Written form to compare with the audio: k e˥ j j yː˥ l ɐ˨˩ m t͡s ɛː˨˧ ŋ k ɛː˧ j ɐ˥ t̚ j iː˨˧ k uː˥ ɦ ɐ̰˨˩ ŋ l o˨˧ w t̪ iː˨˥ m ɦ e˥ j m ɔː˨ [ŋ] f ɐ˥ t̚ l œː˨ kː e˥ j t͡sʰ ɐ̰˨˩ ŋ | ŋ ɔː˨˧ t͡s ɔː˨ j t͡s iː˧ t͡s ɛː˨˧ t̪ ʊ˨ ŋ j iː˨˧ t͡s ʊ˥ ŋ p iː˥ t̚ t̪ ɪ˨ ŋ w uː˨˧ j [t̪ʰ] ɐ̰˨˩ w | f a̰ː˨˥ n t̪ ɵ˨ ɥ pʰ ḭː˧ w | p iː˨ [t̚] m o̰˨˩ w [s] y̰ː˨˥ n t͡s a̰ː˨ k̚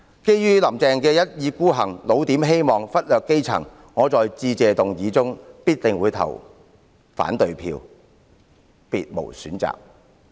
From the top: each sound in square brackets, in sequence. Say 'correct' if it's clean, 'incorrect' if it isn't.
correct, correct, correct, correct

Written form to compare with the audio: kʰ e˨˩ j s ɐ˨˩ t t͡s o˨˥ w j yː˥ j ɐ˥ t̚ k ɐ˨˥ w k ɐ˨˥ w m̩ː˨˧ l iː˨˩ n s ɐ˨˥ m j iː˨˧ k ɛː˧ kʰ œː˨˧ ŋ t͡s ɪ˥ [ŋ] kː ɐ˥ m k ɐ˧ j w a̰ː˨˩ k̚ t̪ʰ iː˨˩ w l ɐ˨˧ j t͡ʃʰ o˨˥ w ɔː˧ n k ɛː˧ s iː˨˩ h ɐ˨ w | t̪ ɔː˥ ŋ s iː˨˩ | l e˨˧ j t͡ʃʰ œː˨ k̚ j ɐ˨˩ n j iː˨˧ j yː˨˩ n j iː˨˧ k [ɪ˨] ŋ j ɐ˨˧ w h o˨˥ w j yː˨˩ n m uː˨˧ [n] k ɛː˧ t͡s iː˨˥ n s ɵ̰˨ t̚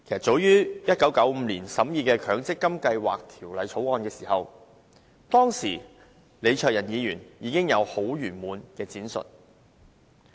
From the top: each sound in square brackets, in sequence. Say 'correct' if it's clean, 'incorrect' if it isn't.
incorrect: none, incorrect: ɪ˥, correct

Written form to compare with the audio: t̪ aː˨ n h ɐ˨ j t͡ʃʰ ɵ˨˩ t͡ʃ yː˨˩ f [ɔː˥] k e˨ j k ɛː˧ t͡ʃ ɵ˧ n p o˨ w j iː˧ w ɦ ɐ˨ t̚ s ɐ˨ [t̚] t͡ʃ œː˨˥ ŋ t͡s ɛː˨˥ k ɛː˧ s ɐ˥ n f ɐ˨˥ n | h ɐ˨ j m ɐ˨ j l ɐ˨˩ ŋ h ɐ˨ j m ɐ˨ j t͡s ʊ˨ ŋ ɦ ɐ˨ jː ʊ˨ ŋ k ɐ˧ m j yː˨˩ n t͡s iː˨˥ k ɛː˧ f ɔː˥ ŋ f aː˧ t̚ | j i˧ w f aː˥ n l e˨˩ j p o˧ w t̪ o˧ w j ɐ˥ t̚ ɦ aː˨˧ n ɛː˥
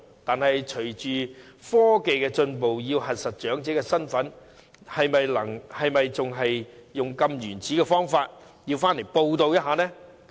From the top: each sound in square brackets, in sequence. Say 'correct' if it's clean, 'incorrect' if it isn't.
correct, correct

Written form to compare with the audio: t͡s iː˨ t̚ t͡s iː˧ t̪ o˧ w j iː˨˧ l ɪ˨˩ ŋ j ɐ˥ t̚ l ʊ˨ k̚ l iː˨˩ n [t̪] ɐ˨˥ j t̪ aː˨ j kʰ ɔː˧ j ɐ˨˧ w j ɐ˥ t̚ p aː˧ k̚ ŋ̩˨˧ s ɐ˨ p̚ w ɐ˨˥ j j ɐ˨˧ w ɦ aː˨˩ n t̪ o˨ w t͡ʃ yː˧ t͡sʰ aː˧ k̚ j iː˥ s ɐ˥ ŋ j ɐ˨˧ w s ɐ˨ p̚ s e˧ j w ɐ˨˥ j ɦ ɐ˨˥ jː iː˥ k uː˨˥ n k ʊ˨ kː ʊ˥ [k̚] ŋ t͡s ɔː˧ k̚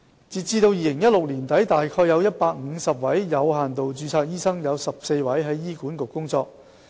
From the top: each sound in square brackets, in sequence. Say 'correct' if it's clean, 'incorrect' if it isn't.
correct, incorrect: none

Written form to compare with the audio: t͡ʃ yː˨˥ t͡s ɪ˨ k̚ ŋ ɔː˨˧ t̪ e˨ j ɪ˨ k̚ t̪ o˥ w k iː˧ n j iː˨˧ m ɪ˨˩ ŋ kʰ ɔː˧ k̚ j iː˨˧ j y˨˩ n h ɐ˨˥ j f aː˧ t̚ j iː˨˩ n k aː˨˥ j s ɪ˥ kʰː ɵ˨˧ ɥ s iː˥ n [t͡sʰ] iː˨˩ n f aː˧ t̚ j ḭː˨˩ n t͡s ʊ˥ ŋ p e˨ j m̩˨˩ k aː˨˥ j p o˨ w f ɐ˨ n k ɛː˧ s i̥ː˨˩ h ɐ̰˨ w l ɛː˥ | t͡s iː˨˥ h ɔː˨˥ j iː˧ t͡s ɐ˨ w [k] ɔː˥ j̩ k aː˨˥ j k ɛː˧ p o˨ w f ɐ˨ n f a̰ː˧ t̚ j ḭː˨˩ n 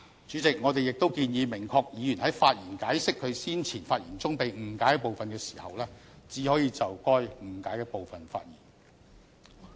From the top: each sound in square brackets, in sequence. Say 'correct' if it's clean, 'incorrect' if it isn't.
correct, correct

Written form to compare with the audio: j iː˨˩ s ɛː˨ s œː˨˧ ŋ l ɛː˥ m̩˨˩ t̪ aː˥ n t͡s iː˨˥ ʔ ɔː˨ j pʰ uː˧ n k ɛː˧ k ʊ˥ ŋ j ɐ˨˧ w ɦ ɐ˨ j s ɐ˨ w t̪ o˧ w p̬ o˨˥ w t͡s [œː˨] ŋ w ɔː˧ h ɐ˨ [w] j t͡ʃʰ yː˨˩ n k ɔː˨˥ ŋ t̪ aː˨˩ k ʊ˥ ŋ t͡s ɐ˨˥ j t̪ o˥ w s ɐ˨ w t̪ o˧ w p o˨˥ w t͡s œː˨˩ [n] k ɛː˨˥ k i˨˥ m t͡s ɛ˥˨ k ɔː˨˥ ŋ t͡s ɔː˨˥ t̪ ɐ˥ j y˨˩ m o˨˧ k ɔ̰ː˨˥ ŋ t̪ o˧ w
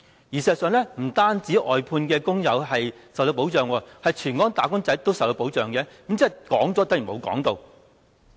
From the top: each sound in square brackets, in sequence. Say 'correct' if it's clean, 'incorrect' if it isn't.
correct, incorrect: none, incorrect: ŋ

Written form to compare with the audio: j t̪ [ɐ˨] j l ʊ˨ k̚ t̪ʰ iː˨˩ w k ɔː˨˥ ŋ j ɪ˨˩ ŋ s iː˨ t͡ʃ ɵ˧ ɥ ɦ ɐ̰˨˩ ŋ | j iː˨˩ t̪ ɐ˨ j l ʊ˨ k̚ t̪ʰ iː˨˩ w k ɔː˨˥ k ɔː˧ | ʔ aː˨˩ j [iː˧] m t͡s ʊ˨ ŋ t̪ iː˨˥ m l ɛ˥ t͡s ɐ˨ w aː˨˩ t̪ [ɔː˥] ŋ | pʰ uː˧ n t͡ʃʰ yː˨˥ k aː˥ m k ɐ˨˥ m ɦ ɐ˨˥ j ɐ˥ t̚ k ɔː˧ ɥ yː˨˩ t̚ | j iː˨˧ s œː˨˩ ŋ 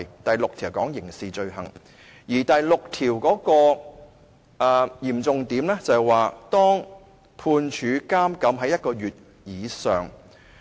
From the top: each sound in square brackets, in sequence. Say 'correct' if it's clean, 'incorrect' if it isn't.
correct, incorrect: iː˨˩, correct

